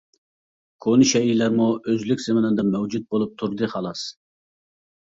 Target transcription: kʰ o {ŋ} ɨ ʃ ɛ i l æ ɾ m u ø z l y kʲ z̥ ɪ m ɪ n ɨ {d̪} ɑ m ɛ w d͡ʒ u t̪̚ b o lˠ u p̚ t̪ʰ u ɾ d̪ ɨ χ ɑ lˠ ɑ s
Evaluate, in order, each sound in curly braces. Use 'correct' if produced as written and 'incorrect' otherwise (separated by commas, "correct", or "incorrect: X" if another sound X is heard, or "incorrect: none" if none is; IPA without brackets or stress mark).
incorrect: n, correct